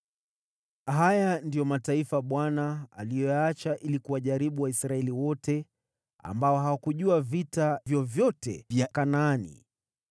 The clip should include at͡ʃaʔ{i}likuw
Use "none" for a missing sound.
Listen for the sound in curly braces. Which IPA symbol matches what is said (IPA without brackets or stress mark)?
i